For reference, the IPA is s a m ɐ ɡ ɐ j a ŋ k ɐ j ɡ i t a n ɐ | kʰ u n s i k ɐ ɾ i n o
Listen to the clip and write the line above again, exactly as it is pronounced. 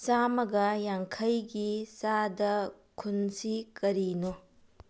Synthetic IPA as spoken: s a m ɐ ɡ ɐ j a ŋ kʰ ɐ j ɡ i s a d ɐ | kʰ u n s i k ɐ ɾ i n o